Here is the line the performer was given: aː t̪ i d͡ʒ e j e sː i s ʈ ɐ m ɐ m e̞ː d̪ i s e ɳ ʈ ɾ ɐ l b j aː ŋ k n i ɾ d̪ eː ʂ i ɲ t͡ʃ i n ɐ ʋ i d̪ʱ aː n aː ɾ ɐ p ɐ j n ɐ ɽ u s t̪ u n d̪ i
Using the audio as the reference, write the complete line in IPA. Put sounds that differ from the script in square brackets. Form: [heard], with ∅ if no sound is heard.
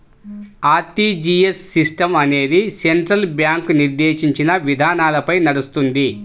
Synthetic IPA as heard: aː t̪ i d͡ʒ [i] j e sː i s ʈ ɐ m ɐ [n] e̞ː d̪ i s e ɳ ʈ ɾ ɐ l b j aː ŋ k n i ɾ d̪ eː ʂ i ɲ t͡ʃ i n ɐ ʋ i d̪ʱ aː n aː [l] ɐ p ɐ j n ɐ ɽ u s t̪ u n d̪ i